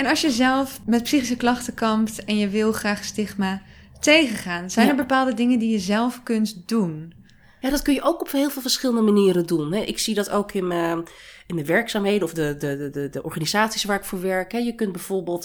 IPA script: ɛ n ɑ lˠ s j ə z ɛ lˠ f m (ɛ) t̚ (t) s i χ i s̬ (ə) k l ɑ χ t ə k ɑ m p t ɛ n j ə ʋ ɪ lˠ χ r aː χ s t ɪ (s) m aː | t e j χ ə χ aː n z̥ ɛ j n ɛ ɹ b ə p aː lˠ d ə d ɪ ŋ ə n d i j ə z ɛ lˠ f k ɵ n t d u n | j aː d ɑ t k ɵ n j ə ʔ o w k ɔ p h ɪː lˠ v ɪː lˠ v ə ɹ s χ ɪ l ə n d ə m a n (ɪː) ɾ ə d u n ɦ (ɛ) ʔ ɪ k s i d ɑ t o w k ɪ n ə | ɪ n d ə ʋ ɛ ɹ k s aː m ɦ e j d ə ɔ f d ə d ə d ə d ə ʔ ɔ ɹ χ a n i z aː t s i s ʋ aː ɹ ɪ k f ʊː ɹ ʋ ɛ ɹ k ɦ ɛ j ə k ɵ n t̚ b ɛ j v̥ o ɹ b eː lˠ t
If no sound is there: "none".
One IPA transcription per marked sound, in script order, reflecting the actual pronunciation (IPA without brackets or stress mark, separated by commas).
ɛ, p, ə, χ, iː, ɛ